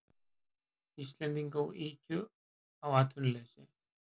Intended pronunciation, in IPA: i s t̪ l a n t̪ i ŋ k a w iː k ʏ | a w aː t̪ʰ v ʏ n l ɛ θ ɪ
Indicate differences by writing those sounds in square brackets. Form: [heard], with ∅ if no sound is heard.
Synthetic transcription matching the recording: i s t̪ l [ɛ] n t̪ i ŋ k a w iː [c] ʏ | a w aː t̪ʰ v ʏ n l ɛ [s] ɪ